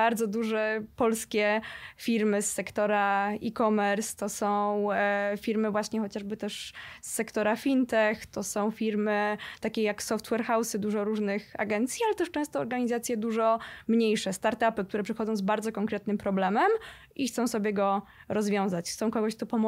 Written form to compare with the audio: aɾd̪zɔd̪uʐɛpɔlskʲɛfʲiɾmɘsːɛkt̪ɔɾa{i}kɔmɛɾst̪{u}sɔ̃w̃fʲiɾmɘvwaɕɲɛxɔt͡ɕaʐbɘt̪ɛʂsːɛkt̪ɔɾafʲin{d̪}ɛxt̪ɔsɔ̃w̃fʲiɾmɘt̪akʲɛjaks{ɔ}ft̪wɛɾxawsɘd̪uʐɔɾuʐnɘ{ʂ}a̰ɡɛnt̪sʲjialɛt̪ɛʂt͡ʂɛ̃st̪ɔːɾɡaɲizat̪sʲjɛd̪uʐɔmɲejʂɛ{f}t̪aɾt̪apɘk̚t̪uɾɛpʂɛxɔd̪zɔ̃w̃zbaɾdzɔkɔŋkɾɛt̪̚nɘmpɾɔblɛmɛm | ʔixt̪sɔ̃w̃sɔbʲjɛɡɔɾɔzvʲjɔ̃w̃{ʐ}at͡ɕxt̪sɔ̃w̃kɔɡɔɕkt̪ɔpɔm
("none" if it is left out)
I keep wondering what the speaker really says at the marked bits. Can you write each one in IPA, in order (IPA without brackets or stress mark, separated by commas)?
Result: i, ɔ, t̪, ɔ, x, s, z